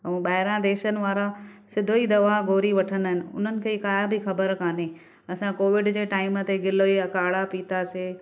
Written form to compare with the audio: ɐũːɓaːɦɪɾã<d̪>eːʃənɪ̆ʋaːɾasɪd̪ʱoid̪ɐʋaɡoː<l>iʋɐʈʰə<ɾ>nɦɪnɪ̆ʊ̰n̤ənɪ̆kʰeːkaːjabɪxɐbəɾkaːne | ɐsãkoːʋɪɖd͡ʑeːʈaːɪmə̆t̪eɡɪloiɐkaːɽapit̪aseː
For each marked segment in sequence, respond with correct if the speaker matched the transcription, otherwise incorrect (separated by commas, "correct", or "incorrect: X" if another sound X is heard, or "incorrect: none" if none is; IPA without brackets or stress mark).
correct, incorrect: ɾ, incorrect: none